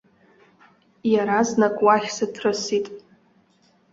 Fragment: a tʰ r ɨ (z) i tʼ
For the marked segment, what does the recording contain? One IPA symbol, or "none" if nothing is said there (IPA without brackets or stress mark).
s